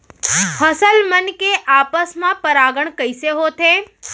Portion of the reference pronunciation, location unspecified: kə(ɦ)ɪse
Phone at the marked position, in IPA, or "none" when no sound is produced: none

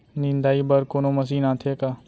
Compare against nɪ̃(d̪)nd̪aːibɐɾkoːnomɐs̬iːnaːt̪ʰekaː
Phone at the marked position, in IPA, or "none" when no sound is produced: none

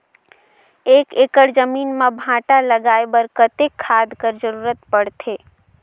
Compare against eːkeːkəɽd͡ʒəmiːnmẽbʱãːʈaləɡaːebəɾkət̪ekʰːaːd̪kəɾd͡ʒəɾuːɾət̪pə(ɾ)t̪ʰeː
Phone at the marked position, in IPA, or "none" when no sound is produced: ɽ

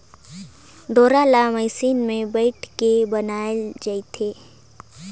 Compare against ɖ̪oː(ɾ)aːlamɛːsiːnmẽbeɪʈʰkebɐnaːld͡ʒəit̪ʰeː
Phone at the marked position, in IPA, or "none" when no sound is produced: ɾ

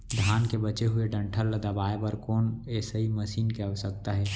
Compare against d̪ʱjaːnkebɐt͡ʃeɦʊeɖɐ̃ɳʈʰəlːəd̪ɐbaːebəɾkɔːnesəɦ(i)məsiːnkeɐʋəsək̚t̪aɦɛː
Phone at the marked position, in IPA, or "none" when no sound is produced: i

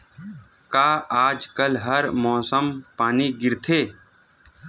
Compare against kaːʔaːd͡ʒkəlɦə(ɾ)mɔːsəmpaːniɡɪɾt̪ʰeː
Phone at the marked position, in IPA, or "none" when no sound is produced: ɾ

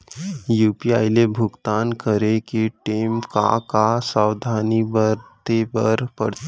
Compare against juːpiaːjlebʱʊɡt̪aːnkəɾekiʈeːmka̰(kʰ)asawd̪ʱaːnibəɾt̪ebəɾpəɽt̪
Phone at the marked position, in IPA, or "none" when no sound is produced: k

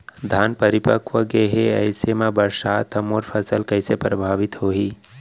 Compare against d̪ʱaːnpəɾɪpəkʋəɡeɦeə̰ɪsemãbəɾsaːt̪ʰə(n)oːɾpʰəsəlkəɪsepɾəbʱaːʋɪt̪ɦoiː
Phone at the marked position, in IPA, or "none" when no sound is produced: m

